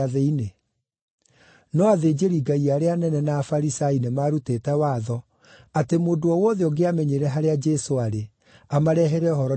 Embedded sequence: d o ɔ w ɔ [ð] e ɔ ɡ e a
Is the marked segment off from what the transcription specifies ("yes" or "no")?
no